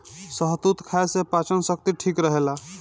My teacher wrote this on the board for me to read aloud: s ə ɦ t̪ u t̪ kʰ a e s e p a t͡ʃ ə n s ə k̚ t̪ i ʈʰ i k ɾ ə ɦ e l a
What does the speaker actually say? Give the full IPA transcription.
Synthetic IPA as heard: s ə ɦ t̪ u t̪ kʰ a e s e p a t͡ʃ ə n s ə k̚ t̪ i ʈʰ i k ɾ ə ɦ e l a